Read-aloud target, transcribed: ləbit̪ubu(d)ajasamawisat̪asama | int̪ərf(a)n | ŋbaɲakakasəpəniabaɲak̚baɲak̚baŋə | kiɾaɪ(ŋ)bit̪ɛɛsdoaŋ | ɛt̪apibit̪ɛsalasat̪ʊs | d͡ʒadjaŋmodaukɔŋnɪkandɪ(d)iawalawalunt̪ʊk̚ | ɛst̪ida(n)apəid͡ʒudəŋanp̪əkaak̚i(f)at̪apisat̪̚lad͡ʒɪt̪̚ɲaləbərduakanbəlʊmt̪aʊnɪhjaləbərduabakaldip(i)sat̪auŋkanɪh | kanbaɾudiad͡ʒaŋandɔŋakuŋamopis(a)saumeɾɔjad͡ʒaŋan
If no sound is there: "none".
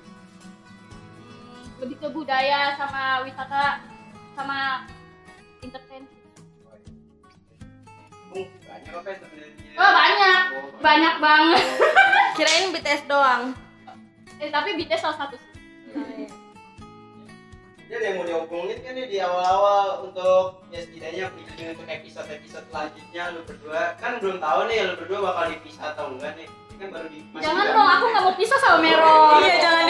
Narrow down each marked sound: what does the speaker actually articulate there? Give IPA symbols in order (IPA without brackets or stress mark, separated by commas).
d, ɛ, n, d, ɲ, s, i, a